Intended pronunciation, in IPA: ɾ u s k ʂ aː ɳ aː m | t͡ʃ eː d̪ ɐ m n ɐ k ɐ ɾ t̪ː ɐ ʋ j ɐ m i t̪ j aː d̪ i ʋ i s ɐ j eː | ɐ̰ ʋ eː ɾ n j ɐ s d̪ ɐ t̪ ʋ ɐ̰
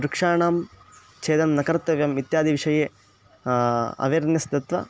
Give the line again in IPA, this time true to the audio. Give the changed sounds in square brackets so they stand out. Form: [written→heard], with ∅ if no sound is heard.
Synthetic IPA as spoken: ɾ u [s→∅] k ʂ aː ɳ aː m | t͡ʃ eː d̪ ɐ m n ɐ k ɐ ɾ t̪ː ɐ ʋ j ɐ m i t̪ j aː d̪ i ʋ i [s→ʂ] ɐ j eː | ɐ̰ ʋ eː ɾ n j ɐ s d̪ ɐ t̪ ʋ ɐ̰